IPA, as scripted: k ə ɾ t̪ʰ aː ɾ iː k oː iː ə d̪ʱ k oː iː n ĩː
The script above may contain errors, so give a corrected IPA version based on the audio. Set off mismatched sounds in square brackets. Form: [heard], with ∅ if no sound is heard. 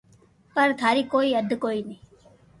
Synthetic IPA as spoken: [p] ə ɾ t̪ʰ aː ɾ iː k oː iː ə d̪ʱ k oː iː n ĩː